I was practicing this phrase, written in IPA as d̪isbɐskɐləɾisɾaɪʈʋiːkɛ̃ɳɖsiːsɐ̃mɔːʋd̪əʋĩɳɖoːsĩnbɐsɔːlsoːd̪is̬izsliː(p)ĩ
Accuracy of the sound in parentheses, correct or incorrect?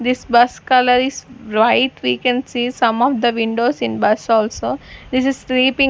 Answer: correct